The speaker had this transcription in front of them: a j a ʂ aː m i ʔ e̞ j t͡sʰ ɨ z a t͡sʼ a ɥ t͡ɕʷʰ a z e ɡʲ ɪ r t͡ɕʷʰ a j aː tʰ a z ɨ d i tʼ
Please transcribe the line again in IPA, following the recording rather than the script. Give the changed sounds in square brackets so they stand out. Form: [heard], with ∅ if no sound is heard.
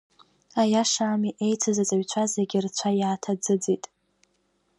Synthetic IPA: a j a ʂ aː m i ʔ e̞ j t͡sʰ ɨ z a t͡sʼ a ɥ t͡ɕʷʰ a z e ɡʲ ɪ r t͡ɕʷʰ a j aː tʰ a [d͡z] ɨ [d͡z] i tʼ